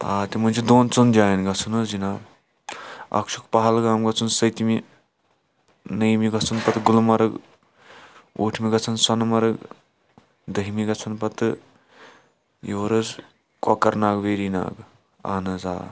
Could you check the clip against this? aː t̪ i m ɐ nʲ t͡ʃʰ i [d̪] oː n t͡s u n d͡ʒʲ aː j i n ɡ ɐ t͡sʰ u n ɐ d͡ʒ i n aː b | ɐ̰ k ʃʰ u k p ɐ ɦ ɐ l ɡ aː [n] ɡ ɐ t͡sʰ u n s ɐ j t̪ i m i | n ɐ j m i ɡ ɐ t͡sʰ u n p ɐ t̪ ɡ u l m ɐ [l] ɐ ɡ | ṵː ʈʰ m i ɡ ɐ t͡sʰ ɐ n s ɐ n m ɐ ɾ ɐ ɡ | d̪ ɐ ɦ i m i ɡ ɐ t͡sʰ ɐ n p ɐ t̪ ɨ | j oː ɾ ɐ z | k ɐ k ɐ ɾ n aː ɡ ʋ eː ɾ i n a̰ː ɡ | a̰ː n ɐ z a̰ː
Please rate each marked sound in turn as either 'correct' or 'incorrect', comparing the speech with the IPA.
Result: correct, incorrect, incorrect

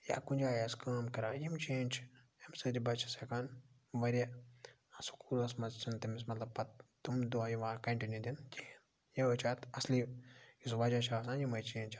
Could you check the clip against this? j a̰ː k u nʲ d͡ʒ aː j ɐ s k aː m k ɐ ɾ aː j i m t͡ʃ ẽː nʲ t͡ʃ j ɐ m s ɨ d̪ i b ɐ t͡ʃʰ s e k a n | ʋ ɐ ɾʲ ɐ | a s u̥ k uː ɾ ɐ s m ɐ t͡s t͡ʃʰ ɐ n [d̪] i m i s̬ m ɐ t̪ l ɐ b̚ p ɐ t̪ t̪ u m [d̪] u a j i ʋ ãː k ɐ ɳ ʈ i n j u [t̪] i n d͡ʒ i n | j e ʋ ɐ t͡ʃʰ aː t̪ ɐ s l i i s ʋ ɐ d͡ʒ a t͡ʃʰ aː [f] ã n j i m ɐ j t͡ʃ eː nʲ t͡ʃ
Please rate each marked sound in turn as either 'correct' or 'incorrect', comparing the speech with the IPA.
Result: incorrect, correct, incorrect, incorrect

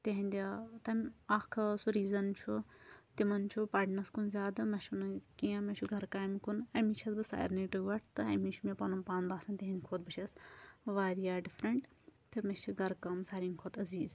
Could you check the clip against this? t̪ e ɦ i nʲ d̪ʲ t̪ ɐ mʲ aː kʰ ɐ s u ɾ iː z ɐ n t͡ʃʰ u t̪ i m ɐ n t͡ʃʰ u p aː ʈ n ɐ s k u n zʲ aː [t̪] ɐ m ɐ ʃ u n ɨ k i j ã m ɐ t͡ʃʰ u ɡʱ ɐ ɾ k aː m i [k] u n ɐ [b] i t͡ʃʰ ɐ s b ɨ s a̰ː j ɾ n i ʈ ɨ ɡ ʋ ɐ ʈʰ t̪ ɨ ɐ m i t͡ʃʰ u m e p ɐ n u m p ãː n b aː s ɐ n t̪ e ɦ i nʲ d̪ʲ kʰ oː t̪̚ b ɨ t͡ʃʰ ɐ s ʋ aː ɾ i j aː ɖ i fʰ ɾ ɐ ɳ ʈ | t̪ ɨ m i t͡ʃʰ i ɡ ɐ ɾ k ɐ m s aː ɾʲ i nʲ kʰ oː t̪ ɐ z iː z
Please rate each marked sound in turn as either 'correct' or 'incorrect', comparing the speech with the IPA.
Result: incorrect, correct, incorrect

